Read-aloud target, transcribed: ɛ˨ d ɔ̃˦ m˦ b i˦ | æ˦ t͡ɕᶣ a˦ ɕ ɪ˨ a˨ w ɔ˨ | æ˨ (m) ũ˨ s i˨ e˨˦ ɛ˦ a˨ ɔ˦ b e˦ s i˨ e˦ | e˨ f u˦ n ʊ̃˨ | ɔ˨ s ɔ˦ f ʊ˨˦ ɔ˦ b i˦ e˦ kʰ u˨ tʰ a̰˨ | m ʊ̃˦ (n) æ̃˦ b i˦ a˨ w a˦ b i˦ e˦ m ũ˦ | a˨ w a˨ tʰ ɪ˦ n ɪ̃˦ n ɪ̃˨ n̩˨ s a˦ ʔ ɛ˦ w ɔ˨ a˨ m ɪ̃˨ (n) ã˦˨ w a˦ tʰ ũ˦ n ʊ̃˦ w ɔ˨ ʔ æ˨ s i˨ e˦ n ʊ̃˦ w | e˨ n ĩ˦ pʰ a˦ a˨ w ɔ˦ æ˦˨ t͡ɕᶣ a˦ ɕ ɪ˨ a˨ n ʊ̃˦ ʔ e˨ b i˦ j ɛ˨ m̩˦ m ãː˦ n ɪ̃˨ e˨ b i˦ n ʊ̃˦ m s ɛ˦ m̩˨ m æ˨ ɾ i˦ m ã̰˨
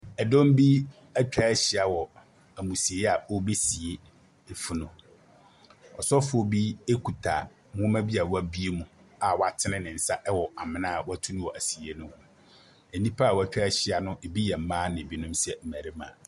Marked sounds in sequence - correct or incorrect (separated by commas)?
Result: correct, incorrect, correct